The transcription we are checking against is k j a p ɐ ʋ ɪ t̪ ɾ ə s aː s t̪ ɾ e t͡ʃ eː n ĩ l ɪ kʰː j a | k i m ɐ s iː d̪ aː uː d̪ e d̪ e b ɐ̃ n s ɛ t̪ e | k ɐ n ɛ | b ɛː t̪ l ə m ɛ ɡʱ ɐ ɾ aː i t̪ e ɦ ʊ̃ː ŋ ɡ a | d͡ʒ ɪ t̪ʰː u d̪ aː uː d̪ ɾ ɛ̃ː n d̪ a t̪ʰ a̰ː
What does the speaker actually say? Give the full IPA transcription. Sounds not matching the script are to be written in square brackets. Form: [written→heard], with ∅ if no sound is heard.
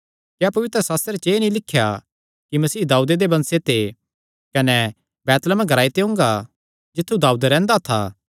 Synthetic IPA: k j a p ɐ ʋ ɪ t̪ ɾ ə s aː s t̪ ɾ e t͡ʃ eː n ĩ l ɪ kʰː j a | k i m ɐ s iː d̪ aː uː d̪ e d̪ e b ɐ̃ n s [ɛ→e] t̪ e | k ɐ n ɛ | b ɛː t̪ l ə m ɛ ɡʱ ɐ ɾ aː i t̪ e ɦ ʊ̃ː ŋ ɡ a | d͡ʒ ɪ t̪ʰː u d̪ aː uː d̪ ɾ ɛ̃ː n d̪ a t̪ʰ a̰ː